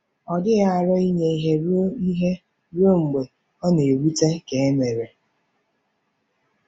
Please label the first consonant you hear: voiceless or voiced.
voiced